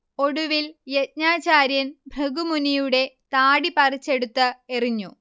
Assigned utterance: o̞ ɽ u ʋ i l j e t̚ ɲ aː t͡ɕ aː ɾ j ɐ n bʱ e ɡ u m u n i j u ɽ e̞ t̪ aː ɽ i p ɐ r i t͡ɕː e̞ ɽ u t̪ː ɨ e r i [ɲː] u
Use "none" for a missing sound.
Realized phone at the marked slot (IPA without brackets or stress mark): ɲː